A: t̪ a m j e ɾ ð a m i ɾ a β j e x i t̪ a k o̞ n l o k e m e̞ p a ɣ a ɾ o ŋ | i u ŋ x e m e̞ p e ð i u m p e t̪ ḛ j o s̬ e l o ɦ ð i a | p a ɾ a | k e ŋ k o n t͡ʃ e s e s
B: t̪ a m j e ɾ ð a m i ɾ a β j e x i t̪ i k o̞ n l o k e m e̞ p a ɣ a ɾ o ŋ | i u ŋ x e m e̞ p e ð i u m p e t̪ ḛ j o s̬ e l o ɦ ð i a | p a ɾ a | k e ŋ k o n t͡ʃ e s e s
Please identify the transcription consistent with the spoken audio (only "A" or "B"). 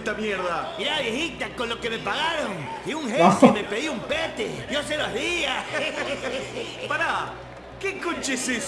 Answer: A